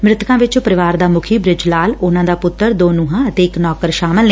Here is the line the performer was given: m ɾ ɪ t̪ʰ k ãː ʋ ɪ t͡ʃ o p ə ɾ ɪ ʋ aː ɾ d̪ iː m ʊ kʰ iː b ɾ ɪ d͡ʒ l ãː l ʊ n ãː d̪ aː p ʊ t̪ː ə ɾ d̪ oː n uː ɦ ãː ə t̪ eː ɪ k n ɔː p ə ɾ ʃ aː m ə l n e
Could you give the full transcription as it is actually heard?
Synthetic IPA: m ɾ ɪ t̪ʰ k ãː ʋ ɪ t͡ʃ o p ə ɾ ɪ ʋ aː ɾ d̪ aː m ʊ kʰ iː b ɾ ɪ d͡ʒ l aː l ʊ n ãː d̪ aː p ʊ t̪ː ə ɾ d̪ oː n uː ɦ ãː ə t̪ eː ɪ k n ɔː k ə ɾ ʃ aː m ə l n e

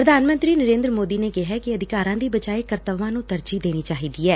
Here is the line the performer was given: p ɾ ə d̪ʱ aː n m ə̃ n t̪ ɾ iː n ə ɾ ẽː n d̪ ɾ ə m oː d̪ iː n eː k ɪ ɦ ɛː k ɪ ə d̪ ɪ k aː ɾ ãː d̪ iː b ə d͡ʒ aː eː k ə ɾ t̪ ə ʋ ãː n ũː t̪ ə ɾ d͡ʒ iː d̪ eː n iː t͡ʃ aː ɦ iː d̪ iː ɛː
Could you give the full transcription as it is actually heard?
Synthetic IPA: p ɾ ə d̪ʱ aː n m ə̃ n t̪ ɾ iː n ə ɾ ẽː n d̪ ɾ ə m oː d̪ iː n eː k ɪ ɦ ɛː k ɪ ə d̪ ɪ k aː ɾ ãː d̪ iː b ə d͡ʒ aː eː k ə ɾ t̪ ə ʋ ãː n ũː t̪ ə ɾ d͡ʒ iː d̪ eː n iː t͡ʃ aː ɦ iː d̪ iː ɛː

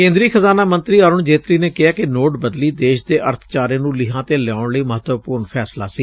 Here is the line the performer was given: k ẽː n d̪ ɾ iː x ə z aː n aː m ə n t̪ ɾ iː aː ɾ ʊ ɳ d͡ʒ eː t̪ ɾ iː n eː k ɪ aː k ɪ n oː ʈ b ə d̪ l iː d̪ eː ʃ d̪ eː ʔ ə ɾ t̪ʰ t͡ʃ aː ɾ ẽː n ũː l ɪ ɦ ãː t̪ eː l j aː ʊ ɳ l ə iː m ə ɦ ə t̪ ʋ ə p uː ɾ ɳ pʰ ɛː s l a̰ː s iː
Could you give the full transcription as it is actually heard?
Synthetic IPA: k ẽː n d̪ ɾ iː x ə z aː n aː m ə n t̪ ɾ iː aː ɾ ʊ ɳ d͡ʒ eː t̪ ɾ iː n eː k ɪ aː k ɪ n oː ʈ b ə d̪ l iː d̪ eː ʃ d̪ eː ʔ ə ɾ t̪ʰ t͡ʃ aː ɾ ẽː n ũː l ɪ ɦ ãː t̪ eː l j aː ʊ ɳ l ə iː m ə ɦ ə t̪ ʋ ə p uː ɾ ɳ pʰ ɛː s l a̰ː s iː

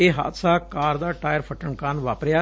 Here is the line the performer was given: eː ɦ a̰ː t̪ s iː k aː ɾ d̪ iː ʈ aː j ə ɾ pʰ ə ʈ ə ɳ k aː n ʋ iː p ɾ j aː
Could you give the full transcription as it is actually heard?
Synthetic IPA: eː ɦ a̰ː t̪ s aː k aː ɾ d̪ aː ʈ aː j ə ɾ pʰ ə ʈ ə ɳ k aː n ʋ aː p ɾ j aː

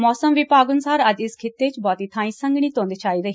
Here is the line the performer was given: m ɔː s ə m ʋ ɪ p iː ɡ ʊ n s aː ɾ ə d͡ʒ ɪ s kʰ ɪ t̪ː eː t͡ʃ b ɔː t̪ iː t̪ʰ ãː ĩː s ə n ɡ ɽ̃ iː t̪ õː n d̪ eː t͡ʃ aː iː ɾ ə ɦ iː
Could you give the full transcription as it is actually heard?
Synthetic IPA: m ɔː s ə m ʋ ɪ p aː ɡ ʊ n s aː ɾ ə d͡ʒ ɪ s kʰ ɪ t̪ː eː t͡ʃ b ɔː t̪ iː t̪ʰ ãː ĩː s ə ŋ ɡ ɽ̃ iː t̪ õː n d̪ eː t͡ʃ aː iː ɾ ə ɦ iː

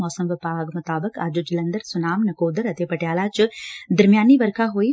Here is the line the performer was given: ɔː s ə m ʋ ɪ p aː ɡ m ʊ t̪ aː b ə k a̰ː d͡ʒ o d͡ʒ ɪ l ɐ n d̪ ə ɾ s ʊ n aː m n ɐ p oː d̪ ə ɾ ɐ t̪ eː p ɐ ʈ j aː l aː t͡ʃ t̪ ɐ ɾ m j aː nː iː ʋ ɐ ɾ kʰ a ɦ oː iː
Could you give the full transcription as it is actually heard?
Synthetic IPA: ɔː s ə m ʋ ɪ p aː ɡ m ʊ t̪ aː b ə k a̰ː d͡ʒ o d͡ʒ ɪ l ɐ n d̪ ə ɾ s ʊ n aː m n ɐ k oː d̪ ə ɾ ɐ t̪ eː p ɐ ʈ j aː l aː t͡ʃ d̪ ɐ ɾ m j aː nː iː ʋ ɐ ɾ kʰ a ɦ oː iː

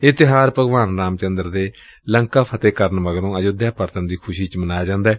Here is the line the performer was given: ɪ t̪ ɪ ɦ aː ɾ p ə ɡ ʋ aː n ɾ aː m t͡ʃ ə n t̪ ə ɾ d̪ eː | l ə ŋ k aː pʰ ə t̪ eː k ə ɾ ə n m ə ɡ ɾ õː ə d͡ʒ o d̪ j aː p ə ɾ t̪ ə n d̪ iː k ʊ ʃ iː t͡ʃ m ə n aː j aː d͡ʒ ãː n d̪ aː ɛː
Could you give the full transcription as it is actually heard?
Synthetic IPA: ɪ t̪ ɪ ɦ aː ɾ p ə ɡ ʋ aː n ɾ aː m t͡ʃ ə n d̪ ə ɾ d̪ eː | l ə ŋ k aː pʰ ə t̪ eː k ə ɾ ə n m ə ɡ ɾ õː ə d͡ʒ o d̪ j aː p ə ɾ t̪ ə n d̪ iː kʰ ʊ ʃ iː t͡ʃ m ə n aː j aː d͡ʒ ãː n d̪ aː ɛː

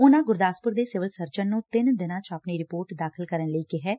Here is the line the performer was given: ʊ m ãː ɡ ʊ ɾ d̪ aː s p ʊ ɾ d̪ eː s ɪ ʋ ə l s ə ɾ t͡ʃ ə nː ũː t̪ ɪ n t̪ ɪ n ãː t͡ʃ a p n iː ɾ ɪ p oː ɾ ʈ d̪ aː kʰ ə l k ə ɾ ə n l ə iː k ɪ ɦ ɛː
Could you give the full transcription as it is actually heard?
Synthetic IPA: ʊ n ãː ɡ ʊ ɾ d̪ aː s p ʊ ɾ d̪ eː s ɪ ʋ ə l s ə ɾ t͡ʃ ə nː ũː t̪ ɪ n d̪ ɪ n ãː t͡ʃ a p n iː ɾ ɪ p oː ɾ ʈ d̪ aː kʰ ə l k ə ɾ ə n l ə iː k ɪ ɦ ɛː

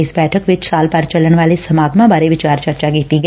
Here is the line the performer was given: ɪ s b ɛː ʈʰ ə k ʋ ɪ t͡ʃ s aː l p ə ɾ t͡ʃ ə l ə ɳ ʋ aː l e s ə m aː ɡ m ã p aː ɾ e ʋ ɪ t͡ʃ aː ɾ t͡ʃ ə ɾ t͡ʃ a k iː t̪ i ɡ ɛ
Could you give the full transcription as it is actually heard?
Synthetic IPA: ɪ s b ɛː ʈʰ ə k ʋ ɪ t͡ʃ s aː l p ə ɾ t͡ʃ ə l ə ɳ ʋ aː l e s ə m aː ɡ m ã b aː ɾ e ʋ ɪ t͡ʃ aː ɾ t͡ʃ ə ɾ t͡ʃ a k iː t̪ i ɡ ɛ

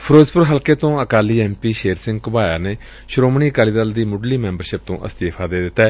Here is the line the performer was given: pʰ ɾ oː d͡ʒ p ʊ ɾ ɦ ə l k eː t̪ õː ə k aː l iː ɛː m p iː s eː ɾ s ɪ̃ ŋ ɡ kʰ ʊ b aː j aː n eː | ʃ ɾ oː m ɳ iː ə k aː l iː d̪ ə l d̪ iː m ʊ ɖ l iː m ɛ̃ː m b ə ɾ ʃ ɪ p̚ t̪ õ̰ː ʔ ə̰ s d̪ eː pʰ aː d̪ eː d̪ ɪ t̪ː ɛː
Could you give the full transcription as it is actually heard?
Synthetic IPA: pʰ ɾ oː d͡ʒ p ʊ ɾ ɦ ə l k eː t̪ õː ə k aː l iː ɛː m p iː ʃ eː ɾ s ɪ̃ ŋ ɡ k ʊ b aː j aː n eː | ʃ ɾ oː m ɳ iː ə k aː l iː d̪ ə l d̪ iː m ʊ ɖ l iː m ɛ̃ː m b ə ɾ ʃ ɪ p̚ t̪ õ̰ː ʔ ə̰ s t̪ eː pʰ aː d̪ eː d̪ ɪ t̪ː ɛː

